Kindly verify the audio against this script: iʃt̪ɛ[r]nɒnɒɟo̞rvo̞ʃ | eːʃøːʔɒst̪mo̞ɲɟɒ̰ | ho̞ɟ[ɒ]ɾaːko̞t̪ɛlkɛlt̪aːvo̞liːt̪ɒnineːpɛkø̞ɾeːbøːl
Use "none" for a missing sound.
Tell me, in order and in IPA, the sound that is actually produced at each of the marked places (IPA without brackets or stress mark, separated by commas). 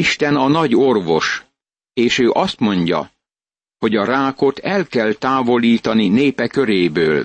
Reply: none, ɒ